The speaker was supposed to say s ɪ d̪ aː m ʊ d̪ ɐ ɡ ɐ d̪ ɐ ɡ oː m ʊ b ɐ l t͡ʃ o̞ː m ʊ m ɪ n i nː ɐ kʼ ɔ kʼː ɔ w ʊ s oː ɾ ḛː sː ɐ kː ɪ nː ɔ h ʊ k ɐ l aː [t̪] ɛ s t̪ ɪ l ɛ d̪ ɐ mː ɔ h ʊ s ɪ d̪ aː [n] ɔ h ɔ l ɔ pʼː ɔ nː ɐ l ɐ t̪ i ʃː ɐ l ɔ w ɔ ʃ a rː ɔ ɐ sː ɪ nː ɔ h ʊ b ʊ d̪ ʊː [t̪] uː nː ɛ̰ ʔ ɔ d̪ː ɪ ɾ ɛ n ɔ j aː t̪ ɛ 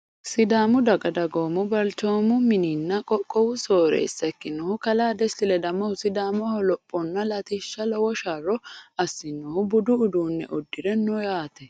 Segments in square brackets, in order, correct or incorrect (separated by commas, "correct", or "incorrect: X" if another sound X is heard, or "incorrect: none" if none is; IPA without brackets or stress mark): incorrect: d̪, incorrect: m, incorrect: d̪